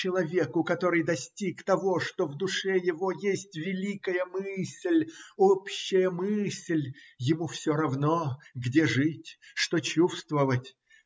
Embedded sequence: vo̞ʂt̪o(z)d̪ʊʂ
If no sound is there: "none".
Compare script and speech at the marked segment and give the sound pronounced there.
v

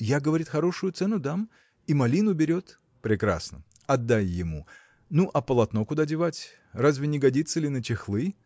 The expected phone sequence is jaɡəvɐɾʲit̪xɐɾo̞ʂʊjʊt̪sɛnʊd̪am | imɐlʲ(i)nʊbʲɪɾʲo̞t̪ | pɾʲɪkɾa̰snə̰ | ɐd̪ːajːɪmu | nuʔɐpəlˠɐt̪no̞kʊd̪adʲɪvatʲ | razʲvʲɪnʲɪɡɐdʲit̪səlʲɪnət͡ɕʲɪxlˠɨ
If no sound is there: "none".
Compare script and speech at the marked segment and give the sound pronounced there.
i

